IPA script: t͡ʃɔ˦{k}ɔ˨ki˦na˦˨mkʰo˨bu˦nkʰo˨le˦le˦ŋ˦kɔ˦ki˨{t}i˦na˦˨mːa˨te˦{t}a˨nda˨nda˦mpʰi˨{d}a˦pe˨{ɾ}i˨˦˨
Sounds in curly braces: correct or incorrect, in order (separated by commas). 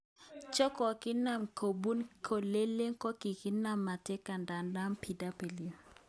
correct, incorrect, incorrect, correct, incorrect